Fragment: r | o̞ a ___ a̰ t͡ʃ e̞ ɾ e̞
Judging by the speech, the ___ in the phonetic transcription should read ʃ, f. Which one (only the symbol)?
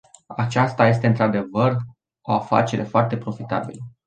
f